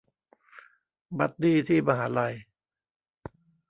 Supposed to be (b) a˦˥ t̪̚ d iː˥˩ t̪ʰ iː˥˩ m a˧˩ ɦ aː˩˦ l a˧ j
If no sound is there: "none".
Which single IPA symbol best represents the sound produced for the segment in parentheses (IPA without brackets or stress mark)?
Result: b